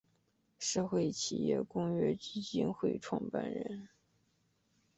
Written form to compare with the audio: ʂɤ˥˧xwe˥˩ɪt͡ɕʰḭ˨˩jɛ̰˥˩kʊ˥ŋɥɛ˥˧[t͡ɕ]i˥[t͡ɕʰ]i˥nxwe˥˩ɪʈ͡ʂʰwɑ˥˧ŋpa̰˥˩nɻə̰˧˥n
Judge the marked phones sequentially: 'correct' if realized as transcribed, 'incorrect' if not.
correct, incorrect

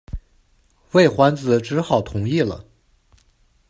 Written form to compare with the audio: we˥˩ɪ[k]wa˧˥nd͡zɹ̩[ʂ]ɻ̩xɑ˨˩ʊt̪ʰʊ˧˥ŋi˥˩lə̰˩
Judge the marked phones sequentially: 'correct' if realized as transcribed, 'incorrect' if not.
incorrect, incorrect

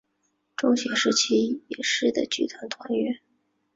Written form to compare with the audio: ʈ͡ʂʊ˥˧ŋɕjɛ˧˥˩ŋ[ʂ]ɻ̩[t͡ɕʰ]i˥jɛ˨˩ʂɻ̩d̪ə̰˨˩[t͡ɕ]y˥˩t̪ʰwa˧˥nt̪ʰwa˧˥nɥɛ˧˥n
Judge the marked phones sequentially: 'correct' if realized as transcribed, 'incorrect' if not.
correct, correct, correct

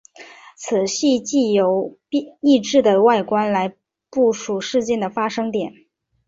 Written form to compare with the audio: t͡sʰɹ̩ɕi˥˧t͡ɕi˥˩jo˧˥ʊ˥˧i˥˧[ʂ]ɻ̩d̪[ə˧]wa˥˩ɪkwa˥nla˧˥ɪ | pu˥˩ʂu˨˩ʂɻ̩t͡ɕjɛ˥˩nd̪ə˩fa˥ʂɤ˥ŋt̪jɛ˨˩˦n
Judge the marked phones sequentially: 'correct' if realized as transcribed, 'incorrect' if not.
incorrect, incorrect

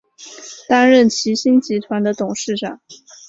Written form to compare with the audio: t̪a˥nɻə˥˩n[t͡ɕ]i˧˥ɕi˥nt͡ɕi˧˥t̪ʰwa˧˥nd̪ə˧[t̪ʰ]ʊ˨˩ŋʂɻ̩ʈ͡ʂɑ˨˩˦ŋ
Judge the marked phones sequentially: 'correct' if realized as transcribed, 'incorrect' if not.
incorrect, incorrect

